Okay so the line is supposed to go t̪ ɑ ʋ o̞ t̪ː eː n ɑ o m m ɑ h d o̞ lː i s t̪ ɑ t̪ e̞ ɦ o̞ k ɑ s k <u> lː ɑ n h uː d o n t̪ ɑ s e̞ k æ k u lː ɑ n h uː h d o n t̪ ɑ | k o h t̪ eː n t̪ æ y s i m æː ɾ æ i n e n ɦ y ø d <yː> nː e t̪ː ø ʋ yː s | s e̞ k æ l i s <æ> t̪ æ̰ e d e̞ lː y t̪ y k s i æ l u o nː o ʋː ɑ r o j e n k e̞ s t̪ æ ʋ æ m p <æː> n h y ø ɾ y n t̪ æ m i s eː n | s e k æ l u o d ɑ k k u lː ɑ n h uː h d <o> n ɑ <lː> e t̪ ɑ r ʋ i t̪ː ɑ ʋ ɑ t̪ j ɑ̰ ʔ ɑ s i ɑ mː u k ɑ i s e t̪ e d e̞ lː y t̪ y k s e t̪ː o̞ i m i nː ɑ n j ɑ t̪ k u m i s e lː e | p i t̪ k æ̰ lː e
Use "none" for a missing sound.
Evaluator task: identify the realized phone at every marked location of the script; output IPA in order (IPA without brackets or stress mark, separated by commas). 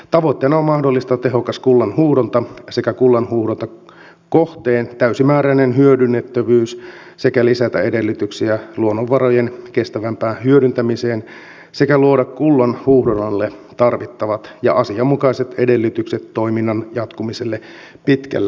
u, y, æ, æː, o, lː